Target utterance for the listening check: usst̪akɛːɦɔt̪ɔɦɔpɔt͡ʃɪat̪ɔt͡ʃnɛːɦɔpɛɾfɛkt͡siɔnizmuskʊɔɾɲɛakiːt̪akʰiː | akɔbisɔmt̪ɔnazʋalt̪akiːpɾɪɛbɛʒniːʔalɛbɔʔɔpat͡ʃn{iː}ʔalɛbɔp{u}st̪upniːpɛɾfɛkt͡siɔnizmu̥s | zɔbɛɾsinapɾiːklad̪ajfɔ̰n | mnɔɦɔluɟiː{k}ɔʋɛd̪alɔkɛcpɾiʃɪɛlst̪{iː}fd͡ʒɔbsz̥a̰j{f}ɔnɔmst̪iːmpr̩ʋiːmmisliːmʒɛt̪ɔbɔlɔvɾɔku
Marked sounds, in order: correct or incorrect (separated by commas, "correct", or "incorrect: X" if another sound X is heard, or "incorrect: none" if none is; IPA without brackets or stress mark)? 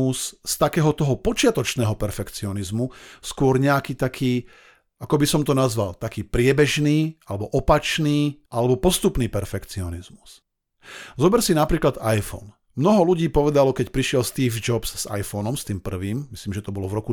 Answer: correct, incorrect: ɔ, incorrect: p, correct, correct